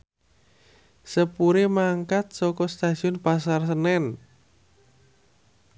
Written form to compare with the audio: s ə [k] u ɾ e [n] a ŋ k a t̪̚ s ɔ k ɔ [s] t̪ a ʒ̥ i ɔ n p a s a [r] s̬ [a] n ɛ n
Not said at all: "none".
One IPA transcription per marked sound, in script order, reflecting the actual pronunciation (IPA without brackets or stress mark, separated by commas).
p, m, s, r, ə